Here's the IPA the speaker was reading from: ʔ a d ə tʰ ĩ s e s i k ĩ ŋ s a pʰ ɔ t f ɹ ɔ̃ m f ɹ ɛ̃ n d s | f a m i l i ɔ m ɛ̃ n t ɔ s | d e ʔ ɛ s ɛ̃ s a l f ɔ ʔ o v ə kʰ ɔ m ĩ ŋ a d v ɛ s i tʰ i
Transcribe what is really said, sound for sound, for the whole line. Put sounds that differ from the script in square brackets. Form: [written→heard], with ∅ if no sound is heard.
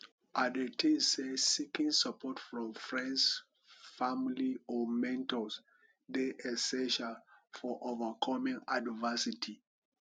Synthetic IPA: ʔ a d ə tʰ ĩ s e s i k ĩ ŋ s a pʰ ɔ t f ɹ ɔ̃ m f ɹ ɛ̃ n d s | f a m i l i ɔ m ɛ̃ n t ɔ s | d e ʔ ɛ s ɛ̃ [s→ʃ] a l f ɔ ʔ o v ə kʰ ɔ m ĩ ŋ a d v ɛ s i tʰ i